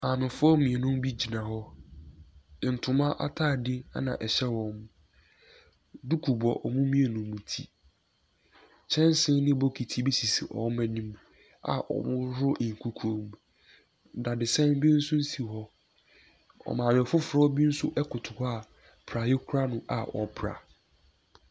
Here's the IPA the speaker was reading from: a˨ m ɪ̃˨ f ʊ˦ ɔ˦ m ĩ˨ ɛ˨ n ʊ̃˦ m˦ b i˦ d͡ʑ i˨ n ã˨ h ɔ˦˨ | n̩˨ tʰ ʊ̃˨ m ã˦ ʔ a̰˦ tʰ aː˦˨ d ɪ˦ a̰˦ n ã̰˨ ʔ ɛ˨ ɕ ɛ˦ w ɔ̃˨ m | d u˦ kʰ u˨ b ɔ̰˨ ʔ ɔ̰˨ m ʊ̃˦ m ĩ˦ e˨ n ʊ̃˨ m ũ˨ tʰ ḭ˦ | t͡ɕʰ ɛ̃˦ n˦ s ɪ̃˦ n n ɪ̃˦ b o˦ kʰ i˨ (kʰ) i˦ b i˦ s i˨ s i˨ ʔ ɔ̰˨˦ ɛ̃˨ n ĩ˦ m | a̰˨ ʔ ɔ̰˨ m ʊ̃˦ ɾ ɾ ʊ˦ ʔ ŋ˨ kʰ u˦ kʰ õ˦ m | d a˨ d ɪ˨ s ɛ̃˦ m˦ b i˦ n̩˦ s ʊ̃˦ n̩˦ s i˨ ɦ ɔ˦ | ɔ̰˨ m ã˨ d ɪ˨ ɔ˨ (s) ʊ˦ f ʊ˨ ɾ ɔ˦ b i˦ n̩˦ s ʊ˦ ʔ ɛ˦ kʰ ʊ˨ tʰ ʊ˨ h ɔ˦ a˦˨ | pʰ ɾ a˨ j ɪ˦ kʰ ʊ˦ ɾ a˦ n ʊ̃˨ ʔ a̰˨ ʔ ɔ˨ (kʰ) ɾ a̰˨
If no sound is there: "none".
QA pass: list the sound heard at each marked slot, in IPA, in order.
tʰ, f, pʰ

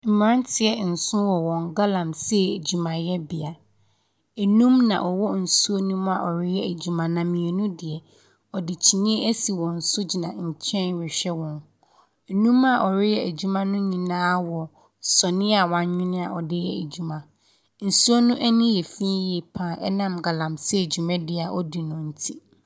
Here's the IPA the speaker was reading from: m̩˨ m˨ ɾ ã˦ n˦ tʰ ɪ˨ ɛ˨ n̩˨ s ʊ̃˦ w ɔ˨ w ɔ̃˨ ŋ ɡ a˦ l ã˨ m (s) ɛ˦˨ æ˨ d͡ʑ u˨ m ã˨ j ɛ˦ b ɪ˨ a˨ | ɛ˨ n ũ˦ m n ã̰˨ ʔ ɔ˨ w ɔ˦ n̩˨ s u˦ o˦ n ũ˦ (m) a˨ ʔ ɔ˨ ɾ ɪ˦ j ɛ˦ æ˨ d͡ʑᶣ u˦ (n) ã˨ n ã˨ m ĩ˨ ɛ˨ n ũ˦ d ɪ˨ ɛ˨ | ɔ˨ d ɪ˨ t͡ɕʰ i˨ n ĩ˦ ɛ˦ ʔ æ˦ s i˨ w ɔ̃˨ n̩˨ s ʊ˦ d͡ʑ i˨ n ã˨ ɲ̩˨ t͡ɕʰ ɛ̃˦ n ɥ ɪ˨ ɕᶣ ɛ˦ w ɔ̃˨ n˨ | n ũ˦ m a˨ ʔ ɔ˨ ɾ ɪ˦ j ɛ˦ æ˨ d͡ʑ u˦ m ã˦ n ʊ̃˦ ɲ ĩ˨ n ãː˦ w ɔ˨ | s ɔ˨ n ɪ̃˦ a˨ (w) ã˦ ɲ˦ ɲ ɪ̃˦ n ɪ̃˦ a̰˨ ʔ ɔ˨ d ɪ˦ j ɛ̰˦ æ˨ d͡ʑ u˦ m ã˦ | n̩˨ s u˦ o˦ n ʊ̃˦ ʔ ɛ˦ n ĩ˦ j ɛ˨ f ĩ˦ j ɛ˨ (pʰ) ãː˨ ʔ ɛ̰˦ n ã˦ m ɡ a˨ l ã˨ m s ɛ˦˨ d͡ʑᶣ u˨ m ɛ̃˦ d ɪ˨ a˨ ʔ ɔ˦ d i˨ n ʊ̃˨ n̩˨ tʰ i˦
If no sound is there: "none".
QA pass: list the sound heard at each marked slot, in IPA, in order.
s, m, m, w, pʰ

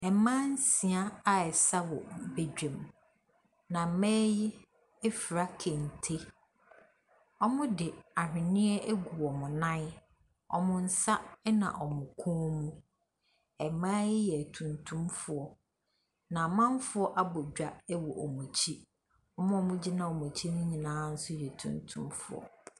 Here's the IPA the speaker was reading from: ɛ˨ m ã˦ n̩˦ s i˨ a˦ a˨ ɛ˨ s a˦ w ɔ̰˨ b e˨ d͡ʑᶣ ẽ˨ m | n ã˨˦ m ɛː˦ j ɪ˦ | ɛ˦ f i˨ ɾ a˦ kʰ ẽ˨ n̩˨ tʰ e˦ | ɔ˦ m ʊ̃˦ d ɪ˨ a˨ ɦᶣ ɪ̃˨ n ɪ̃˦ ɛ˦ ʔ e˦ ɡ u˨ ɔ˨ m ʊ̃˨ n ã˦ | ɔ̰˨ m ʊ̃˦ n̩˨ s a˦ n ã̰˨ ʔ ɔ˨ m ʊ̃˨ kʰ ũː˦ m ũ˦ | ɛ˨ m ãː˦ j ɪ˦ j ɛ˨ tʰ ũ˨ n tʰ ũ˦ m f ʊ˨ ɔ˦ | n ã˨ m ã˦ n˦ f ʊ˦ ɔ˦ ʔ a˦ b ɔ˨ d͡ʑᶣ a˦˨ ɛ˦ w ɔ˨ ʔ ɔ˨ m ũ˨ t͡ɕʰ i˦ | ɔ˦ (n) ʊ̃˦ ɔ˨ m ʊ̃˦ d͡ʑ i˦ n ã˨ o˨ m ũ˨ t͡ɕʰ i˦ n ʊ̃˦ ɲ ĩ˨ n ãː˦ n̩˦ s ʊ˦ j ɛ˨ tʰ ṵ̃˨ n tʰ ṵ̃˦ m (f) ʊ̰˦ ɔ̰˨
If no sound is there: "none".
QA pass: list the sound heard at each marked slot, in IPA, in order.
m, f

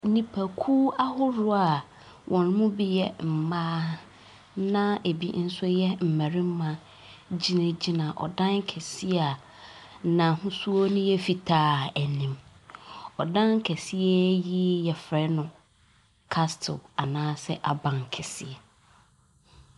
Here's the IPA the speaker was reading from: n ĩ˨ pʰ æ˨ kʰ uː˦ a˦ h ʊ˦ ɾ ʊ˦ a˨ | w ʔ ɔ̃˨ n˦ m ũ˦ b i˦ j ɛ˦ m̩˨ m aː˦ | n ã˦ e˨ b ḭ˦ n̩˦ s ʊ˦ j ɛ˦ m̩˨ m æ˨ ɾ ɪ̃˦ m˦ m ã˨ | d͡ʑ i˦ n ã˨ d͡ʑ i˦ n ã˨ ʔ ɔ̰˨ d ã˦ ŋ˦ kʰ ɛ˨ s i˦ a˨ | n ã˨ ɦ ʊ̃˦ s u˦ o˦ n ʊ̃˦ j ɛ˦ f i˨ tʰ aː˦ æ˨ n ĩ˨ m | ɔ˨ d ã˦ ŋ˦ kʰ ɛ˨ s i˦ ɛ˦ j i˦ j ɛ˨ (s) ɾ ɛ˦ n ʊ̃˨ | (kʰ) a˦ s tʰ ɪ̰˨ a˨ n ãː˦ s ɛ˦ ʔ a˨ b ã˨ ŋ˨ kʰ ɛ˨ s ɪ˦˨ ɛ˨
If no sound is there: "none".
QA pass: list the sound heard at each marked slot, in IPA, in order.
f, kʰ

